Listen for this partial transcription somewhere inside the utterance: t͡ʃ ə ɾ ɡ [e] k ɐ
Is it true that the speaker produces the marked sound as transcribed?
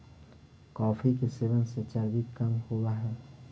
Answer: no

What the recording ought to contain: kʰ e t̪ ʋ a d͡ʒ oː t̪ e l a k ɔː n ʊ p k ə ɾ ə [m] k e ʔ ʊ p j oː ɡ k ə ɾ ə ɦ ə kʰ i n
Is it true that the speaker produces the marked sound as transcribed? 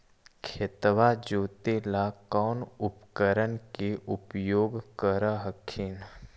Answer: no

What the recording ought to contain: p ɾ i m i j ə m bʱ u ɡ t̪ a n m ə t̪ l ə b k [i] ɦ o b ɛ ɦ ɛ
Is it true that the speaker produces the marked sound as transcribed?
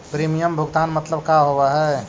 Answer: no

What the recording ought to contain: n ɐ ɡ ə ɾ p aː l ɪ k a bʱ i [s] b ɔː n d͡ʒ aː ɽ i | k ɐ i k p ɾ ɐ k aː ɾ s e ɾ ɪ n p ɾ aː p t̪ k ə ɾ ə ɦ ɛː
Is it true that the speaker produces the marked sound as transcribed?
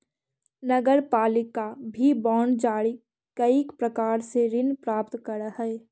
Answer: no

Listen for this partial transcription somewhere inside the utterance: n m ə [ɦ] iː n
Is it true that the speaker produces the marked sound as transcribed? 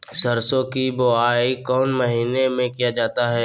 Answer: yes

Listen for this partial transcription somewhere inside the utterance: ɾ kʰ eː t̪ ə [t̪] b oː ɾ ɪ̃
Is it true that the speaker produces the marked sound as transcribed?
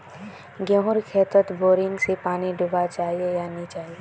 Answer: yes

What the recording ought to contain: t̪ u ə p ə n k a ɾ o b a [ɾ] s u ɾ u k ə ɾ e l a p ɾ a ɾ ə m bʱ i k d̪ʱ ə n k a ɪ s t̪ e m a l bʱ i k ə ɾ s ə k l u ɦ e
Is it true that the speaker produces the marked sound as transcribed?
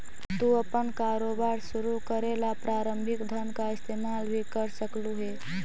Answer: yes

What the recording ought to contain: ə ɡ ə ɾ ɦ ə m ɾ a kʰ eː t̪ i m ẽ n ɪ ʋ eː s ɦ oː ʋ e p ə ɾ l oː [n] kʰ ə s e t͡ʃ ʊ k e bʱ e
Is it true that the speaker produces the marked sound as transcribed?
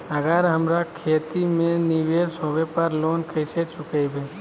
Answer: yes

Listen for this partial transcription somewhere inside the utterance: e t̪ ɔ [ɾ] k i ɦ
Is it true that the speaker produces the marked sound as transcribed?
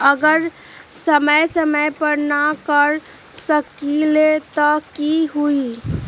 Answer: no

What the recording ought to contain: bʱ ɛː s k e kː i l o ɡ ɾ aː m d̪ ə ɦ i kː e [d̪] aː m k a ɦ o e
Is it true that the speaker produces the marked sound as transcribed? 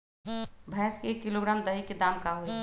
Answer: yes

